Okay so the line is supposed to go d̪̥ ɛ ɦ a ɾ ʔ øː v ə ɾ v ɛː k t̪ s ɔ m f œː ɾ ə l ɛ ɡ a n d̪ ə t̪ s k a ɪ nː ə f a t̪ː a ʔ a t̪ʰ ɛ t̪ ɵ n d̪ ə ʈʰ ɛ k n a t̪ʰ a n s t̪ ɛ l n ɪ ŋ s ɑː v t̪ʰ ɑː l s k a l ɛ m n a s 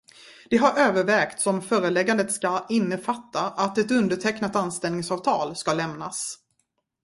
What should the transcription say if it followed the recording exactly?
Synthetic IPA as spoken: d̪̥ ɛ ɦ a ɾ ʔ øː v ə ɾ v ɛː k t̪ s ɔ m f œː ɾ ə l ɛ ɡ a n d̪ ə t̪ s k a ɪ nː ə f a t̪ː a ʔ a t̪ ɛ t̪ ɵ n d̪ ə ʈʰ ɛ k n a t̪ a n s t̪ ɛ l n ɪ ŋ s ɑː v t̪ʰ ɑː l s k a l ɛ m n a s